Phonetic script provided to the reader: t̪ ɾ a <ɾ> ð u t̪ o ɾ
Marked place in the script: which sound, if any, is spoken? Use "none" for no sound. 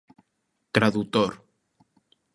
none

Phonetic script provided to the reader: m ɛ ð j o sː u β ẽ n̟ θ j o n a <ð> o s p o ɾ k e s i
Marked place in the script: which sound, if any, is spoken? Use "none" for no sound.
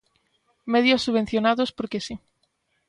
ð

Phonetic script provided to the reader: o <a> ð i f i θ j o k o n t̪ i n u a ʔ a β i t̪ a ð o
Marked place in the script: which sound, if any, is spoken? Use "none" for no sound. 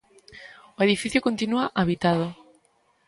e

